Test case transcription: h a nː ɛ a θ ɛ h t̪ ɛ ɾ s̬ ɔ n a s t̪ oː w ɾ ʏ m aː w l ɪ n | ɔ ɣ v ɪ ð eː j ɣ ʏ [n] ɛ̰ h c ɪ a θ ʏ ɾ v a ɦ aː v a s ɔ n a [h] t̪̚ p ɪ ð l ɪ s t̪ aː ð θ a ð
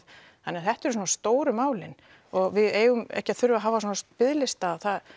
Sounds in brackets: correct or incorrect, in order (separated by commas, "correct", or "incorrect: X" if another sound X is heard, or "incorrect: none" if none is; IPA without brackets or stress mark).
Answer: incorrect: m, incorrect: s